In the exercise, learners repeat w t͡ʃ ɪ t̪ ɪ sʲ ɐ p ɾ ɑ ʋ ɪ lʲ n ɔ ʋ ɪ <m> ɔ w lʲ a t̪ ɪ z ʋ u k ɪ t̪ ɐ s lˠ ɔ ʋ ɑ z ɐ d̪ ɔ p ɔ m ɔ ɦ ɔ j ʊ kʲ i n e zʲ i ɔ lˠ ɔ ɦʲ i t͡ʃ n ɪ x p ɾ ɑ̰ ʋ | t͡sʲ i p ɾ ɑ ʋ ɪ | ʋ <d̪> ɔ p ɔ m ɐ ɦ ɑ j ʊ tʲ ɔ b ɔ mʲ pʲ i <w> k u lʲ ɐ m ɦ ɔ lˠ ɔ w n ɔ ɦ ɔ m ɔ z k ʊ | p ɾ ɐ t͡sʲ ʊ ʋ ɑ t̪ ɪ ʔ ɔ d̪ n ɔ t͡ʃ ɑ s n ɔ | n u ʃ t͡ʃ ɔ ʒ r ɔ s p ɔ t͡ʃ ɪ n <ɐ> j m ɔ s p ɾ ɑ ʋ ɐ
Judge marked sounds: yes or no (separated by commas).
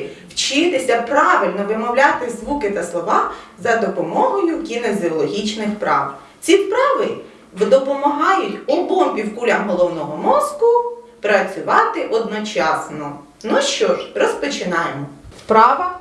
yes, yes, yes, no